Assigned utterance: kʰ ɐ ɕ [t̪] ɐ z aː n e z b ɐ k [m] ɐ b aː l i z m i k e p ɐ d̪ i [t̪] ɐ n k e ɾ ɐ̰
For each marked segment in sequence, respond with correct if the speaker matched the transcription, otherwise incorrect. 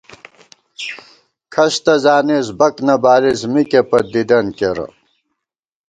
correct, incorrect: n, incorrect: d̪

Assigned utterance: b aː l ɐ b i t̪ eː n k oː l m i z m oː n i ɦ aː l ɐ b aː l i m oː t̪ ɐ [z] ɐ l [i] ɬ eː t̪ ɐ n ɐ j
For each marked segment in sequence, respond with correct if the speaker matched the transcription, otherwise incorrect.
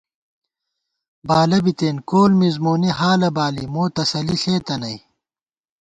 incorrect: s, correct

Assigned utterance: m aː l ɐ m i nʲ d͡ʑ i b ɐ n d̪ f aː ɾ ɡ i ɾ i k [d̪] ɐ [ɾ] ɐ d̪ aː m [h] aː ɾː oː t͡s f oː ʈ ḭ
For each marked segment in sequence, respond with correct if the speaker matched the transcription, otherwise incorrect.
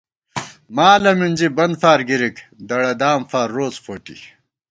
correct, incorrect: ɽ, incorrect: f

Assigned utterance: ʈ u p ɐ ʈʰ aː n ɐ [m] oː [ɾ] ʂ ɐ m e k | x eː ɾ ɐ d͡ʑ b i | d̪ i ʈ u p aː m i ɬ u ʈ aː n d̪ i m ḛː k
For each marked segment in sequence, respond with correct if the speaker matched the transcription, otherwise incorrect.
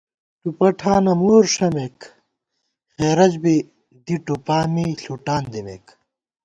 correct, correct

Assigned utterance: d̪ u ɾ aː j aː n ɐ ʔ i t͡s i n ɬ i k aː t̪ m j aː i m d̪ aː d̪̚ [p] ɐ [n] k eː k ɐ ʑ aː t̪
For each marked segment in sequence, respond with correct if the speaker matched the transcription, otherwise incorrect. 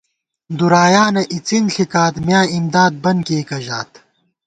incorrect: b, correct

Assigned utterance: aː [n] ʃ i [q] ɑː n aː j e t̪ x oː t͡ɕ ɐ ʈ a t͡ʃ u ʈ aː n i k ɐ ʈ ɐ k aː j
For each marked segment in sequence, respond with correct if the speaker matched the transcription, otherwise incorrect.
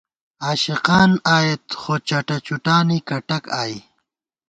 incorrect: none, correct

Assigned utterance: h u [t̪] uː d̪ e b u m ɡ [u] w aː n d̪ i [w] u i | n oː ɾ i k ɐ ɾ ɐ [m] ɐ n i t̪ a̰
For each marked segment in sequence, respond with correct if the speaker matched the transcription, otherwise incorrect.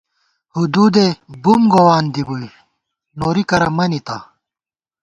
incorrect: d̪, incorrect: o, incorrect: b, correct

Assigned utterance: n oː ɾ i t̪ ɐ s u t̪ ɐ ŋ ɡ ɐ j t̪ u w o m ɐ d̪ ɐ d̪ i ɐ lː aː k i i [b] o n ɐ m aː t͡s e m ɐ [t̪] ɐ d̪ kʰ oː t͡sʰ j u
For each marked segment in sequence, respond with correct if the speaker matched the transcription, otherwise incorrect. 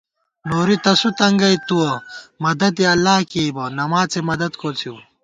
correct, incorrect: d̪

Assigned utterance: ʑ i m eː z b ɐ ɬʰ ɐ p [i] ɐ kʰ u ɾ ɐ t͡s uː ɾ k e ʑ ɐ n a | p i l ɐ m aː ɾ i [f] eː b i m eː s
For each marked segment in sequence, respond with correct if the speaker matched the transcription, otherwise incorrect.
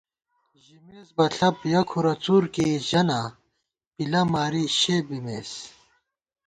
incorrect: j, incorrect: ɕ

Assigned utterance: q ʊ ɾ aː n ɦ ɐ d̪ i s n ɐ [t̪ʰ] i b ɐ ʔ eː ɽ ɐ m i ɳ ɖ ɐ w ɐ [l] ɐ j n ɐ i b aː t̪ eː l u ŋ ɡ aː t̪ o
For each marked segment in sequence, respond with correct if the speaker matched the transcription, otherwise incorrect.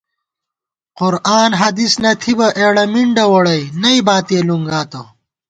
correct, incorrect: ɽ

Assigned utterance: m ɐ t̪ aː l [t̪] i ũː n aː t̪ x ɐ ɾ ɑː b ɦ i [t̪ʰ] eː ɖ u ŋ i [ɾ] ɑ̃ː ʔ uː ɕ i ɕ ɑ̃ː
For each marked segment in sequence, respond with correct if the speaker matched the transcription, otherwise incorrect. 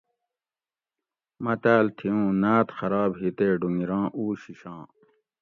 incorrect: t̪ʰ, incorrect: t̪, correct

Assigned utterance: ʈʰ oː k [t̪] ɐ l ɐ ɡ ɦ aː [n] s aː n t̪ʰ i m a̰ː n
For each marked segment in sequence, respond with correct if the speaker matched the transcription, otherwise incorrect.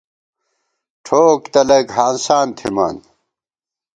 correct, correct

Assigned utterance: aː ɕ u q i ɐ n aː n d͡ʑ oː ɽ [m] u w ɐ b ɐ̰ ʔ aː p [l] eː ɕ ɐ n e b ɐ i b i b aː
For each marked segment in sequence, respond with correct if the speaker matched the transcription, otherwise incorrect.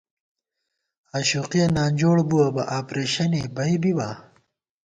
incorrect: b, incorrect: ɾ

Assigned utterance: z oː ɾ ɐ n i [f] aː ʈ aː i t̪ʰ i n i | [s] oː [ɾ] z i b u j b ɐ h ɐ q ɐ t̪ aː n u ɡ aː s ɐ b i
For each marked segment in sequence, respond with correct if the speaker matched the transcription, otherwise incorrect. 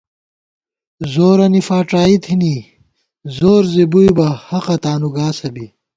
correct, incorrect: z, correct

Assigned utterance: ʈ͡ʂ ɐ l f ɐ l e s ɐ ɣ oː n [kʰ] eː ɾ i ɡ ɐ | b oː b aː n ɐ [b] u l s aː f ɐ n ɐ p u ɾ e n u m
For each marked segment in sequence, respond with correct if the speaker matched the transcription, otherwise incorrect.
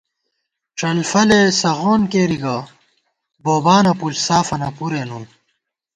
incorrect: k, incorrect: p

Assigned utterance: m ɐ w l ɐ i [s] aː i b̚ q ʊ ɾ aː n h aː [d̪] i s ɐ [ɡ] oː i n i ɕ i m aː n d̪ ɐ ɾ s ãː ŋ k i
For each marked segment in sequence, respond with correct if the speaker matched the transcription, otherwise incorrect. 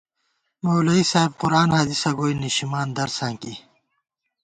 correct, correct, correct

